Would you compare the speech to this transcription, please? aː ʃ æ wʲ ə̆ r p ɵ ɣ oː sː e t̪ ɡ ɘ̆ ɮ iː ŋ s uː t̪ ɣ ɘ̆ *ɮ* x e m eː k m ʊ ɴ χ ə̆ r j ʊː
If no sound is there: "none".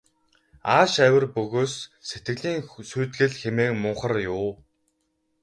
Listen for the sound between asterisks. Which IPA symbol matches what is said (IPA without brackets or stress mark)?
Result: ɮ